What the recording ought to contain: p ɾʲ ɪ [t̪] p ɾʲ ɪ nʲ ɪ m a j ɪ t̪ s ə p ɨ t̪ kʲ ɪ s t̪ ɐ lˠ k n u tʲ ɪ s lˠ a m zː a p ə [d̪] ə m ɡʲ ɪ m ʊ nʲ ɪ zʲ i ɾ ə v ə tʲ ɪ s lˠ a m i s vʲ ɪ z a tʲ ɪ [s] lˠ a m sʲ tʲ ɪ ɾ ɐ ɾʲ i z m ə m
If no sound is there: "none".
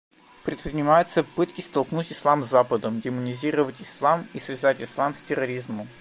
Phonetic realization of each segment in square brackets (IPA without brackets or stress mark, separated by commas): t̪, d̪, s